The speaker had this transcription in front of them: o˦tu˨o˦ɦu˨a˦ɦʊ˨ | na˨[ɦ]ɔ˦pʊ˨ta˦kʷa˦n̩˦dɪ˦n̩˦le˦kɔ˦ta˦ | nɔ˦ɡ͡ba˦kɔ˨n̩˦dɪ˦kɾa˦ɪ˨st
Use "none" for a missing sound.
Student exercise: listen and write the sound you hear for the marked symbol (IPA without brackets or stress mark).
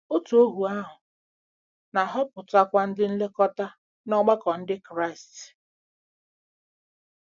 ɦ